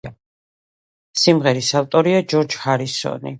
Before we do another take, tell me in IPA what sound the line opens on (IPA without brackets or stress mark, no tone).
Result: s